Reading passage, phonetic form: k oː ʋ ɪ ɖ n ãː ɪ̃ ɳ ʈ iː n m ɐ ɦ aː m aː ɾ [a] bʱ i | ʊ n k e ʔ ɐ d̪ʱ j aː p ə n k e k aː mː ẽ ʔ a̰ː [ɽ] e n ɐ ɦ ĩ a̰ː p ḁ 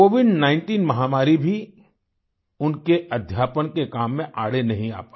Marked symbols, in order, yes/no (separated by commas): no, yes